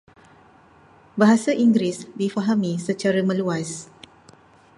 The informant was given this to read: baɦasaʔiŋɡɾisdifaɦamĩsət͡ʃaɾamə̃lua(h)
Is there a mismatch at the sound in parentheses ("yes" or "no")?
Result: yes